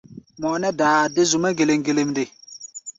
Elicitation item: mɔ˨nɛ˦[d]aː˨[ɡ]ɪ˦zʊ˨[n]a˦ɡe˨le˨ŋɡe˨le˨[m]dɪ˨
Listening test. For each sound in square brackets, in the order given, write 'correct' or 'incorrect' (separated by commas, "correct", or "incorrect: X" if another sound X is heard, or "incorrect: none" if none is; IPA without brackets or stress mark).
correct, incorrect: d, incorrect: m, correct